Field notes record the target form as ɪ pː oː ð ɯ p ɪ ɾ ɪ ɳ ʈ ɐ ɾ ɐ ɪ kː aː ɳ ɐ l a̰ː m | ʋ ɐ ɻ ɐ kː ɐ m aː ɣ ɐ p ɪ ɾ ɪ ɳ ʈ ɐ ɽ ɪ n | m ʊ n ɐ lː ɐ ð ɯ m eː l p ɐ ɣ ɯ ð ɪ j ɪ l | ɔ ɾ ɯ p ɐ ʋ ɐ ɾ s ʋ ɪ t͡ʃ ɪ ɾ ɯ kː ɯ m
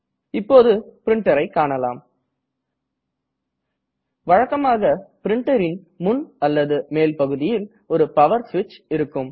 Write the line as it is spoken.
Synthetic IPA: ɪ pː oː ð ɯ p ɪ ɾ ɪ ɳ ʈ ɐ ɾ ɐ ɪ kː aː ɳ ɐ l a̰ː m | ʋ ɐ ɻ ɐ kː ɐ m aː ɣ ɐ p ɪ ɾ ɪ ɳ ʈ ɐ ɾ ɪ n | m ʊ n ɐ lː ɐ ð ɯ m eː l p ɐ ɣ ɯ ð ɪ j ɪ l | ɔ ɾ ɯ p ɐ ʋ ɐ ɾ s ʋ ɪ t͡ʃ ɪ ɾ ɯ kː ɯ m